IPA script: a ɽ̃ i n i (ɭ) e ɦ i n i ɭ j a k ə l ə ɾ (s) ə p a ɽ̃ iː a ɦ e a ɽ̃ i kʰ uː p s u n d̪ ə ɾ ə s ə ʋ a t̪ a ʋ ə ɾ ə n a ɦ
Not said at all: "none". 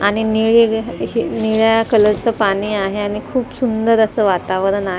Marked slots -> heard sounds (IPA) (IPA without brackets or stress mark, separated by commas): ɭ, t͡s